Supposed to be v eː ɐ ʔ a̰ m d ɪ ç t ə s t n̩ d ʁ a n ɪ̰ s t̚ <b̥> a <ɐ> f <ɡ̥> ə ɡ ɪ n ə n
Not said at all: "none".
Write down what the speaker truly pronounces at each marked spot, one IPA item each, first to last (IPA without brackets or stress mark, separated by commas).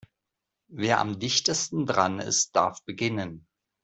d̥, ɐ, b̥